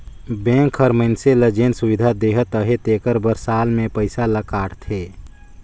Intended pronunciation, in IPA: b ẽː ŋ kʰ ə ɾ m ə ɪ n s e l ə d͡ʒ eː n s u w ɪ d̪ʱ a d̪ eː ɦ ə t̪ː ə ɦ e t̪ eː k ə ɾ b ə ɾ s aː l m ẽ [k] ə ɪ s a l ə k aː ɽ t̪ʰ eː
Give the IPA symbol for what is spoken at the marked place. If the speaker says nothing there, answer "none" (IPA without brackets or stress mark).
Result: p